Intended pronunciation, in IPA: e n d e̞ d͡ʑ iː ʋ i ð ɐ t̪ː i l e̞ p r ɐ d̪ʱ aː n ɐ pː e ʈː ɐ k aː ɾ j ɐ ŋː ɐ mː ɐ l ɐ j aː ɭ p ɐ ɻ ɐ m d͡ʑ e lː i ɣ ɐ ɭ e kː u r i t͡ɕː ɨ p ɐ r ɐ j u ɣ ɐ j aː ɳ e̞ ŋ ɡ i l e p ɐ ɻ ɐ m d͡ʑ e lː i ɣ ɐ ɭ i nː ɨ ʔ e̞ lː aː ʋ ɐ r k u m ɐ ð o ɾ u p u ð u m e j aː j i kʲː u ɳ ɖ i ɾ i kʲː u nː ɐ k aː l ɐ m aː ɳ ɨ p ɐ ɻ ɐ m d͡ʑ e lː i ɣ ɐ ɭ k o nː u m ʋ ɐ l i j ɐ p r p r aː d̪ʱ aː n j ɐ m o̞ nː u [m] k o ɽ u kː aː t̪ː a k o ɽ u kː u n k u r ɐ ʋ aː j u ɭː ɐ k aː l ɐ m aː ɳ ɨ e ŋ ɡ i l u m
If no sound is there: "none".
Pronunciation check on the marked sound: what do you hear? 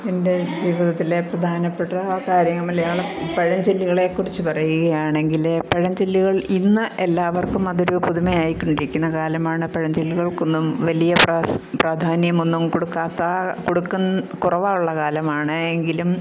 m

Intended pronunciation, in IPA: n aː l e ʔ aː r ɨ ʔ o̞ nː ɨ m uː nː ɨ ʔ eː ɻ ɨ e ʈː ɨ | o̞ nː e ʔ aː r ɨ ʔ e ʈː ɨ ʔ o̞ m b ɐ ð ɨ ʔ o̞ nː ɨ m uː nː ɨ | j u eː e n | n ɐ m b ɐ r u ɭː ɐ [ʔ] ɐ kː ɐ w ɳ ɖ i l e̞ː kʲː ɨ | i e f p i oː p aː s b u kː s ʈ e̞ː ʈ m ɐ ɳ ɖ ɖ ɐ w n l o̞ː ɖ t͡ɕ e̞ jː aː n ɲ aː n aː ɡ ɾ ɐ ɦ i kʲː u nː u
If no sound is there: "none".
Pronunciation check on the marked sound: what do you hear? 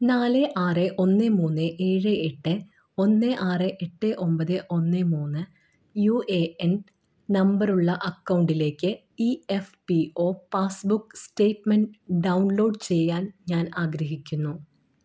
ʔ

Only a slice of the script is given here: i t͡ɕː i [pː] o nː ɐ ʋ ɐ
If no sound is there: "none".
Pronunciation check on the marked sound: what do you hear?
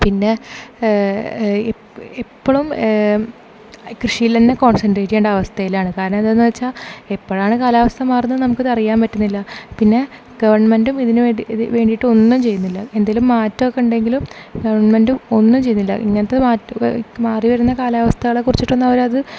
ʈː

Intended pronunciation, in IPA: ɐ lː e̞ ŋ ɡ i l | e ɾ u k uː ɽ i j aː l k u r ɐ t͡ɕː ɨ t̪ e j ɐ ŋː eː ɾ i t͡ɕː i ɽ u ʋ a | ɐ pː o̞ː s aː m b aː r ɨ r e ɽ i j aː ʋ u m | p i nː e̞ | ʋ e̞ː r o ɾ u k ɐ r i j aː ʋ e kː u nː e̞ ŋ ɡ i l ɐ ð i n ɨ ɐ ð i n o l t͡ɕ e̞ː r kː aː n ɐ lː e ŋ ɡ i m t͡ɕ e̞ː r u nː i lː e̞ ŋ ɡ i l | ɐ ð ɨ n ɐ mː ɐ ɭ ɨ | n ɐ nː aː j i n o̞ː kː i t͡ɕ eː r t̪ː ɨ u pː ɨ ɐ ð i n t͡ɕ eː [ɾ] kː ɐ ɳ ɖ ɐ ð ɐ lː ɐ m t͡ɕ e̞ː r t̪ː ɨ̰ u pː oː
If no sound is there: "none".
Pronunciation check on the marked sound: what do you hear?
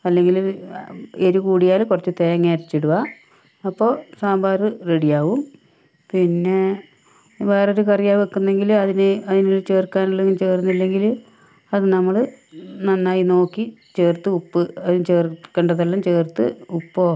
r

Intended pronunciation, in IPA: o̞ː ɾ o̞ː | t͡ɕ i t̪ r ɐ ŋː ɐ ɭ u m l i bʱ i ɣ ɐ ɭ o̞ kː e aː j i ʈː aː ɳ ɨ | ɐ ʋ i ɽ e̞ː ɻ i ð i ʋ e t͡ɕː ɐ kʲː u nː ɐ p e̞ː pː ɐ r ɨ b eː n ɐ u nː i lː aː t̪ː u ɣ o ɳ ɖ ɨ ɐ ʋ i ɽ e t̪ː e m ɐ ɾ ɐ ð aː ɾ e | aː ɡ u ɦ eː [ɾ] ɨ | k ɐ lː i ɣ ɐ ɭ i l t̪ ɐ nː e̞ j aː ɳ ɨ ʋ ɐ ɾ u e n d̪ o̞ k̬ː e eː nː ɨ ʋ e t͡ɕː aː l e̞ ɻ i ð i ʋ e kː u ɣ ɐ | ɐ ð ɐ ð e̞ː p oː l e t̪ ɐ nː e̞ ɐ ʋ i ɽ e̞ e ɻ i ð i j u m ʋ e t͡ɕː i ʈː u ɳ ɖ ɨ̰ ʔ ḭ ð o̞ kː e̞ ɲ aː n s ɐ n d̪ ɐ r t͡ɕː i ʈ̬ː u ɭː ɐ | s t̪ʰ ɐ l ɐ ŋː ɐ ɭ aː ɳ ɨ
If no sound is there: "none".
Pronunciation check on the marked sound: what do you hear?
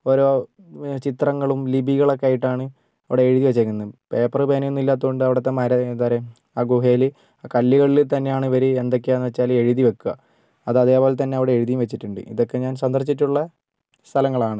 l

